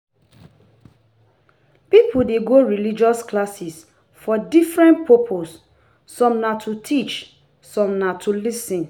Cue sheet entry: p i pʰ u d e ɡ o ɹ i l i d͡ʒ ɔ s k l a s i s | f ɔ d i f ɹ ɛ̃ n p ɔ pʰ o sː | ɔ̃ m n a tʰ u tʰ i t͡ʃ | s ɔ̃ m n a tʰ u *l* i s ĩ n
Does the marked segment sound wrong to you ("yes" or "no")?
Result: no